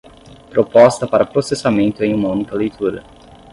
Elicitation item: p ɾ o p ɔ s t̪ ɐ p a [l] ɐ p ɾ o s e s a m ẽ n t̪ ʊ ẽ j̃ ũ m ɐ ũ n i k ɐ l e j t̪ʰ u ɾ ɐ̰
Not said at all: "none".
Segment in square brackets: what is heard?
ɾ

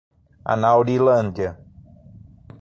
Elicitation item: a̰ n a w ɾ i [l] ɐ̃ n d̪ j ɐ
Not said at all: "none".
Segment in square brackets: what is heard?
l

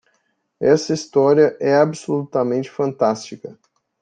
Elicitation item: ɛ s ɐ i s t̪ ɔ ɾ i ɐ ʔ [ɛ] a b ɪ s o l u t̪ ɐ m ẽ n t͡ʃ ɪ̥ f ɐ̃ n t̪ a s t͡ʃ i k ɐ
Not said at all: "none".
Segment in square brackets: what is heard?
ɛ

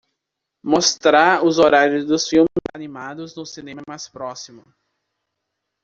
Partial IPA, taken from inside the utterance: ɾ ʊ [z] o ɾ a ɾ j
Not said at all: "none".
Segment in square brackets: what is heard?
z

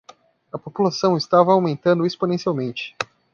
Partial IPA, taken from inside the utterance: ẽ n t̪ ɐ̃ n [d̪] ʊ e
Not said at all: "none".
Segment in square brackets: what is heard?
d̪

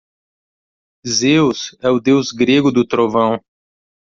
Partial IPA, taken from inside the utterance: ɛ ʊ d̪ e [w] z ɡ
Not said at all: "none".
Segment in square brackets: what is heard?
w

